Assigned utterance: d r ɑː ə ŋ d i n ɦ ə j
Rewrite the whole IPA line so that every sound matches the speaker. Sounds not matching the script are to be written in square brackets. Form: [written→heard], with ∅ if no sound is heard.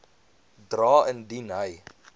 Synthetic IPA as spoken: d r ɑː ə [ŋ→n] d i n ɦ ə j